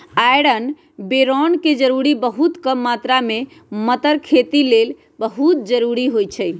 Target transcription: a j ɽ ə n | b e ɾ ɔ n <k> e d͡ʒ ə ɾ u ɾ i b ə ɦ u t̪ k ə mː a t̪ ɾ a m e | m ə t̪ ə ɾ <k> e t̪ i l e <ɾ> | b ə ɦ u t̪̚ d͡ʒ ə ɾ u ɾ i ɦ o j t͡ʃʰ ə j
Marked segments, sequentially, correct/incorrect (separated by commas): correct, incorrect, incorrect